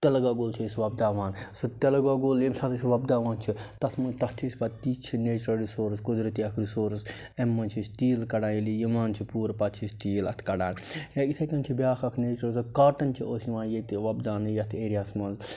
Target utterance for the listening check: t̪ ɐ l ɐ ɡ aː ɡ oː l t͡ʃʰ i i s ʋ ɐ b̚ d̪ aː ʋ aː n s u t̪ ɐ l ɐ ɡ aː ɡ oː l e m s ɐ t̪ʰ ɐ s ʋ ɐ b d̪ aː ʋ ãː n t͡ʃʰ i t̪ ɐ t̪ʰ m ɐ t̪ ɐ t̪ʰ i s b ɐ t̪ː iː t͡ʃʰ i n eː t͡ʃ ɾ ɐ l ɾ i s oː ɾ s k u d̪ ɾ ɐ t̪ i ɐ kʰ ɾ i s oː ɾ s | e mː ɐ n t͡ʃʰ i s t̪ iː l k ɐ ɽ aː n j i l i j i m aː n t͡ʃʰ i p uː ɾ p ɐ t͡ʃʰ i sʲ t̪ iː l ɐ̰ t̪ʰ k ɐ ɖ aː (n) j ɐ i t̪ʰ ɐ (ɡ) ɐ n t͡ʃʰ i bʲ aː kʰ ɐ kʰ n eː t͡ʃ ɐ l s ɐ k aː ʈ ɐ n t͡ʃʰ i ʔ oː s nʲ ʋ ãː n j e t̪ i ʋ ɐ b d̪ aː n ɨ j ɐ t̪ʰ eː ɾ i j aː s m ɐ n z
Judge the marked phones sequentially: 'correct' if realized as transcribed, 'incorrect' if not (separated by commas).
correct, incorrect